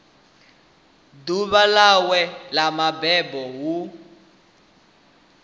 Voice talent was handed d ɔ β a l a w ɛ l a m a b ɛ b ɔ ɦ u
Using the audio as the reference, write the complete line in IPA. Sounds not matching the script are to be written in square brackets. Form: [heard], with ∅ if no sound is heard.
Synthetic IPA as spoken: d [u] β a l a w ɛ l a m a b ɛ b ɔ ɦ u